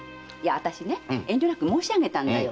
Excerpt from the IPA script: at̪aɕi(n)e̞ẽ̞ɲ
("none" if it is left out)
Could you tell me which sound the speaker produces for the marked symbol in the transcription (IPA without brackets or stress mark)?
n